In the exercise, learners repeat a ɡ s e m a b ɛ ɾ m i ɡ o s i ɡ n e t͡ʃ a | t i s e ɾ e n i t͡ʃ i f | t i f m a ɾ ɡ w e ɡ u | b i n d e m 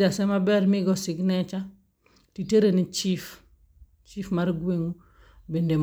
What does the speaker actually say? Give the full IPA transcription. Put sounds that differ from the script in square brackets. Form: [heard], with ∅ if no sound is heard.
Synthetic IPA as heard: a [∅] s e m a b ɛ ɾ m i ɡ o s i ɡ n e t͡ʃ a | t i [t] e ɾ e n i t͡ʃ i f | [t͡ʃ] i f m a ɾ ɡ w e [ŋ] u | b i n d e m